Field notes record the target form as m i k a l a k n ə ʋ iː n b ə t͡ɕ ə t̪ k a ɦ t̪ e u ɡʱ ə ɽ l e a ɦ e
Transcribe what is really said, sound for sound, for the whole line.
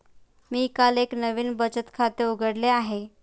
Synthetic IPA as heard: m iː k a l e k n ə ʋ iː n b ə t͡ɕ ə t̪ kʰ a t̪ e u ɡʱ ə ɽ l e a ɦ e

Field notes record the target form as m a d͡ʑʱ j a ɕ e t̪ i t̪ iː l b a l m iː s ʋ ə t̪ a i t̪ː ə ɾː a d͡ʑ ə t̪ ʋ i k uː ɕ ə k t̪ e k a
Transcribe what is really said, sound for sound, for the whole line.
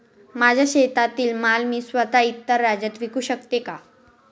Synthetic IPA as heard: m a d͡ʑʱ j a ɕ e t̪ a t̪ iː l m a l m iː s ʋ ə t̪ a i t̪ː ə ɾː a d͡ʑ ə t̪ ʋ i k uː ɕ ə k t̪ e k a

